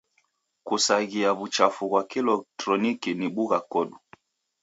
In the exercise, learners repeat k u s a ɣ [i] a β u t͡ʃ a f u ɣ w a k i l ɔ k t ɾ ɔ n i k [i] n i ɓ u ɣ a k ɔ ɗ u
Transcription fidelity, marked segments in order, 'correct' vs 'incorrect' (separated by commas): correct, correct